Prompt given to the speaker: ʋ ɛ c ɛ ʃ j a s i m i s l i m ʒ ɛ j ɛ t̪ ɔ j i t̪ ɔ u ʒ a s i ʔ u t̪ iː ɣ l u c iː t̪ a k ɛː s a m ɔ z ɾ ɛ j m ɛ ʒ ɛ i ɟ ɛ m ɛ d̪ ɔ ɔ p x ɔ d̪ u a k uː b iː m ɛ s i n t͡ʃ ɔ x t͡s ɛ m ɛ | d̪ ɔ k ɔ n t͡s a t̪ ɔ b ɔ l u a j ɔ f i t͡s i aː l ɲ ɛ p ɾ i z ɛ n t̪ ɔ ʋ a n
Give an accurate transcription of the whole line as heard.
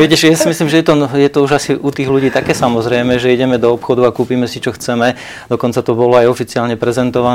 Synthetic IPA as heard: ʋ ɛ c ɛ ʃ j a s i m i s l i m ʒ ɛ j ɛ t̪ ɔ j ɛ t̪ ɔ u ʒ a s i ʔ u t̪ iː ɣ l u ɟ iː t̪ a k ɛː s a m ɔ z ɾ ɛ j m ɛ ʒ ɛ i ɟ ɛ m ɛ d̪ ɔ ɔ p x ɔ d̪ u a k uː p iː m ɛ s i t͡ʃ ɔ x t͡s ɛ m ɛ | d̪ ɔ k ɔ n t͡s a t̪ ɔ b ɔ l ɔ a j ɔ f i t͡s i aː l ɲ ɛ p ɾ ɛ z ɛ n t̪ ɔ ʋ a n